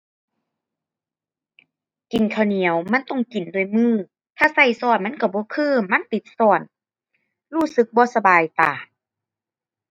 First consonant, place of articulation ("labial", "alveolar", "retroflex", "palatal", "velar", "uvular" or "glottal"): velar